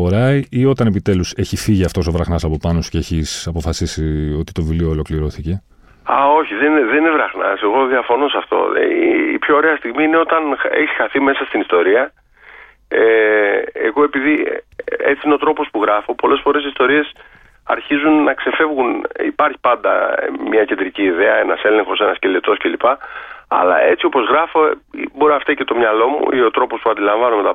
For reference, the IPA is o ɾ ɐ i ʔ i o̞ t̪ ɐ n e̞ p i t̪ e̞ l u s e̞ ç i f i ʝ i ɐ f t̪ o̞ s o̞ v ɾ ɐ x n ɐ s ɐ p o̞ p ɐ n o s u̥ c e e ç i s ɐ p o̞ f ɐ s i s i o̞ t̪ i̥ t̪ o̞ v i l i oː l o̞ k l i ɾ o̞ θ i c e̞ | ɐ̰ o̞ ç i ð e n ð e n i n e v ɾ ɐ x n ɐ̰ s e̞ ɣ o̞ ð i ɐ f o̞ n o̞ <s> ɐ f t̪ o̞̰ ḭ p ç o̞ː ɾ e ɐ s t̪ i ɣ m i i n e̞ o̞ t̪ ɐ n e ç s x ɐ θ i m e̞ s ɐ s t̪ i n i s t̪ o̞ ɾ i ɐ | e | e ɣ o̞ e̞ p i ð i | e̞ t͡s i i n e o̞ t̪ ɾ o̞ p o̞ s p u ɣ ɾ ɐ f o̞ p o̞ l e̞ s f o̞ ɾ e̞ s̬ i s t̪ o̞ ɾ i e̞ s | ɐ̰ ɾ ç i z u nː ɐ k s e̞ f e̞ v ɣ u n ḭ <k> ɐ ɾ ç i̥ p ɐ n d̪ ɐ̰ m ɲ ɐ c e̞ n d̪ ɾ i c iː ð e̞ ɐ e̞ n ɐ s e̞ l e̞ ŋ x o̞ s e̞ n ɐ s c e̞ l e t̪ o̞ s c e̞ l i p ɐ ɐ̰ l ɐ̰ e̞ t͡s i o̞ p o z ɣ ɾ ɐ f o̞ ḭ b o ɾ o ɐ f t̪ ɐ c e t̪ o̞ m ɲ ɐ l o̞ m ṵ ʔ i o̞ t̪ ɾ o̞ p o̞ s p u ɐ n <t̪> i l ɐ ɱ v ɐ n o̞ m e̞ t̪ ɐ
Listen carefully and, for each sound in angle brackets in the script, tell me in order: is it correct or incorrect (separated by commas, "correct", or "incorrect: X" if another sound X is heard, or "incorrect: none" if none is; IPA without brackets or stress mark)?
correct, incorrect: p, incorrect: d̪